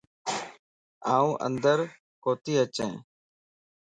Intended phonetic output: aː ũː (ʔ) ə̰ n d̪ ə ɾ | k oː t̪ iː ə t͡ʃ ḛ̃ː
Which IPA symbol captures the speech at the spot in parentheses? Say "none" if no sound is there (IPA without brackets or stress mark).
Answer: ʔ